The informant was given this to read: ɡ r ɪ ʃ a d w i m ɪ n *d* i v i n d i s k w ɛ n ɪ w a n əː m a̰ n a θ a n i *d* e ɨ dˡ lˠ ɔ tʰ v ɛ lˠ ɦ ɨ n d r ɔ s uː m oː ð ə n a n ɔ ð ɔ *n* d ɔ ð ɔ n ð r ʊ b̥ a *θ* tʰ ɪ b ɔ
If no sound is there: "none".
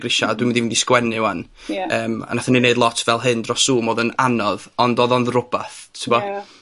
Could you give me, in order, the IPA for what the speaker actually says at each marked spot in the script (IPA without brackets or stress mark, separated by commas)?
d, n, n, θ